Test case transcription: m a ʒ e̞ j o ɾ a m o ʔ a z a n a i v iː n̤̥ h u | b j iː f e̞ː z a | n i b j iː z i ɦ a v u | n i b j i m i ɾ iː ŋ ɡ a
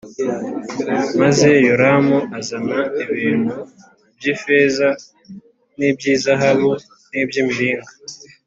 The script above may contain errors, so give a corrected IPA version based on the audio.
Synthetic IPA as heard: m a z e̞ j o ɾ a m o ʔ a z a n a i β iː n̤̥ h u | b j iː f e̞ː z a | n i b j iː z a ɦ a β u | n i b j i m i ɾ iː ŋ ɡ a